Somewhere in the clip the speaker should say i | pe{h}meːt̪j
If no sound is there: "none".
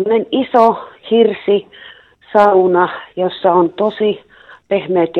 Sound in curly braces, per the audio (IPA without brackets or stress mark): h